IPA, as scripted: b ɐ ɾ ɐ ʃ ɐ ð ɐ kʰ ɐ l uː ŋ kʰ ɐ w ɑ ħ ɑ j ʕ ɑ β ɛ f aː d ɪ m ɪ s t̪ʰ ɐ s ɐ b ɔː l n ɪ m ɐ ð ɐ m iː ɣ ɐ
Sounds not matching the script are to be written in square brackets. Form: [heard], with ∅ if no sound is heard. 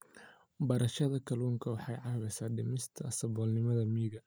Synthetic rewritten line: b ɐ ɾ ɐ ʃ ɐ ð ɐ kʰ ɐ l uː ŋ kʰ ɐ w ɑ ħ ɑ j ʕ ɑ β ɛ [s] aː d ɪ m ɪ s t̪ʰ ɐ s ɐ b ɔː l n ɪ m ɐ ð ɐ m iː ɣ ɐ